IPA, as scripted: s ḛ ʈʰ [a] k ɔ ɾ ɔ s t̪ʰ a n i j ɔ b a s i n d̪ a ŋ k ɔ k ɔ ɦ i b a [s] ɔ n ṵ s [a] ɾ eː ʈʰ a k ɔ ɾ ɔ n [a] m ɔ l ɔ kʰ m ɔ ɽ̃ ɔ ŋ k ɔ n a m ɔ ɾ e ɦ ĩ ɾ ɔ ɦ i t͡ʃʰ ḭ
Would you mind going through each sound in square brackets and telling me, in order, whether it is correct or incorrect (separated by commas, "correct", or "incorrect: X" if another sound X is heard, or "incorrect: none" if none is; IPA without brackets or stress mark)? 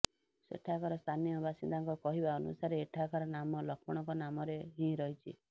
correct, incorrect: none, correct, correct